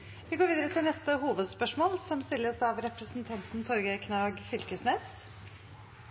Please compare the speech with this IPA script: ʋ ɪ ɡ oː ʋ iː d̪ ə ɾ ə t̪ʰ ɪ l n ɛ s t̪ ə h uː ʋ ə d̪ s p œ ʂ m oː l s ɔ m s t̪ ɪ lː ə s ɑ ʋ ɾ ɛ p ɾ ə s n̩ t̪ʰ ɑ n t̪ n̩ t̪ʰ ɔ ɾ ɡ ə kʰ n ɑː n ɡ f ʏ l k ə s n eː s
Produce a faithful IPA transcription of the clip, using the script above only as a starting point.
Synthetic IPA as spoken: ʋ ɪ ɡ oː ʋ iː d̪ ə ɾ ə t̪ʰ ɪ l n ɛ s t̪ ə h uː ʋ ə d̪ s p œ ʂ m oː l s ɔ m s t̪ ɪ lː ə s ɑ ʋ ɾ ɛ p ɾ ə s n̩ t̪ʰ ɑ n t̪ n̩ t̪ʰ ɔ ɾ ɡ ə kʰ n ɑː ɡ f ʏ l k ə s n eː s